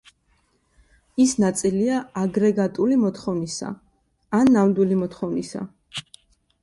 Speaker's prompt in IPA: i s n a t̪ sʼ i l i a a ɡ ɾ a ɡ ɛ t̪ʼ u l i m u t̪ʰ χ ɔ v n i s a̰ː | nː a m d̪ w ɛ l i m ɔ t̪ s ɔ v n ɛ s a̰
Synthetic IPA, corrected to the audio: i s n a t̪ sʼ i l i a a ɡ ɾ ɛ ɡ a t̪ʼ u l i m ɔ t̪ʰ χ ɔ v n i s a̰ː | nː a m d̪ w i l i m ɔ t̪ χ ɔ v n i s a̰